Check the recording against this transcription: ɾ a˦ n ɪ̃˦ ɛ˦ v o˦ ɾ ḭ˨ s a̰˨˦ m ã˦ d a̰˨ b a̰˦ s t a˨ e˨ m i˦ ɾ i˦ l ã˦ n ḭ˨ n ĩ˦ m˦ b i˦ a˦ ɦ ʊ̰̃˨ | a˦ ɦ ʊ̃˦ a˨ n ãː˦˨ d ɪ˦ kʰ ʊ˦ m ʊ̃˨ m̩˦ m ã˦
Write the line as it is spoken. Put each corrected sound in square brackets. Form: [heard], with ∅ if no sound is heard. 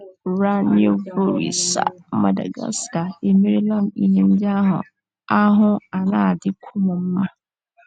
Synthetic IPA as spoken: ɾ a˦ n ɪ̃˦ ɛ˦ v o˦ ɾ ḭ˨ s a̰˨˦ m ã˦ d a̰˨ [ɡ] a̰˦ s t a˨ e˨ m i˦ ɾ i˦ l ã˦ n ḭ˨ n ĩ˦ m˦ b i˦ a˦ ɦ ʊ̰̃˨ | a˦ ɦ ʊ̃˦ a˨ n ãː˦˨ d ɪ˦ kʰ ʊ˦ m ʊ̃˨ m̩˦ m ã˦